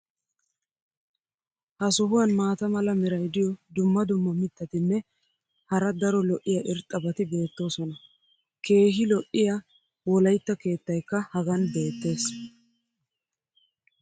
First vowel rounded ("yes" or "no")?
no